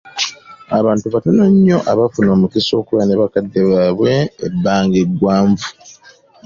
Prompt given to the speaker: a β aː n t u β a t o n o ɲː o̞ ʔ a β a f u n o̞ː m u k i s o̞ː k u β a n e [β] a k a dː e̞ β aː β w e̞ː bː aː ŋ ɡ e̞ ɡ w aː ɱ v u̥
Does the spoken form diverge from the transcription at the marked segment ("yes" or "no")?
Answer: no